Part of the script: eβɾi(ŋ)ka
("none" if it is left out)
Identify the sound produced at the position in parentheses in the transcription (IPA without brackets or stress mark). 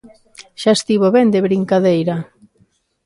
ŋ